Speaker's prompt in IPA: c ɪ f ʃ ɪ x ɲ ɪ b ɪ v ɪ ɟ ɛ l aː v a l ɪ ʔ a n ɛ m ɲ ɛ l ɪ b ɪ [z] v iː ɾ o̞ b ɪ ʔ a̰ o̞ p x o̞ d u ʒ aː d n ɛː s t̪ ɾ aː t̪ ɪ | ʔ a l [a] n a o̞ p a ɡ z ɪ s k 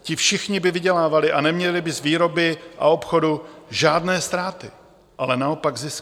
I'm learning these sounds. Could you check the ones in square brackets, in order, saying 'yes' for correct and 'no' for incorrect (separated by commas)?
yes, no